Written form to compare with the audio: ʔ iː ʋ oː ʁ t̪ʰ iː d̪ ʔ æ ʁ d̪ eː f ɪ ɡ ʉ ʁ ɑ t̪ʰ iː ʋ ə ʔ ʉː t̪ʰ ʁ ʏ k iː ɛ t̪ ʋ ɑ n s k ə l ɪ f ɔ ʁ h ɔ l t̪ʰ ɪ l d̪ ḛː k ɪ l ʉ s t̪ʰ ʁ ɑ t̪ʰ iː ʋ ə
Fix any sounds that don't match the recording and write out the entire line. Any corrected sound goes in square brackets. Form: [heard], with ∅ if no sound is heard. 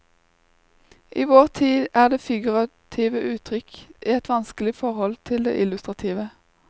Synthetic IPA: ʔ iː ʋ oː ʁ t̪ʰ iː d̪ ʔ [æː] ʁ d̪ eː f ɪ ɡ ʉ ʁ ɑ t̪ʰ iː ʋ ə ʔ ʉː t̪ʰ ʁ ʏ k iː ɛ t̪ ʋ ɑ n s k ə l ɪ f ɔ ʁ h ɔ l t̪ʰ ɪ l d̪ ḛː [ʔ] ɪ l ʉ s [t̪] ʁ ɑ t̪ʰ iː ʋ ə